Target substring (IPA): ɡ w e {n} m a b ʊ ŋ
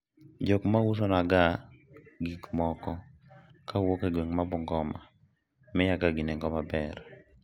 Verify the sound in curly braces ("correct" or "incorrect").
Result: incorrect